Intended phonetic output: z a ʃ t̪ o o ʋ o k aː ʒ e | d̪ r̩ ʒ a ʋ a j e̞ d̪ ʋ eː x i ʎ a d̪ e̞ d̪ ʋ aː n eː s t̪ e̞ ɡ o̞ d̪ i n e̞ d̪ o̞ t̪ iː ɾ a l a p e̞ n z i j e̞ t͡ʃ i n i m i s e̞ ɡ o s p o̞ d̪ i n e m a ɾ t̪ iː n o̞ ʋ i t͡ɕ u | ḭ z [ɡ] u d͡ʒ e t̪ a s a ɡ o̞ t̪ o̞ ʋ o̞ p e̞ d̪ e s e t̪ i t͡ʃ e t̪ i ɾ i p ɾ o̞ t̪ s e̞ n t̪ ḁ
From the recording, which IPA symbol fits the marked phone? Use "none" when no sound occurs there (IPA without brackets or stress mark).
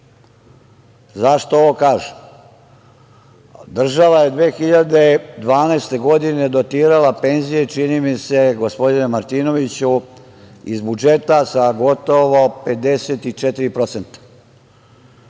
b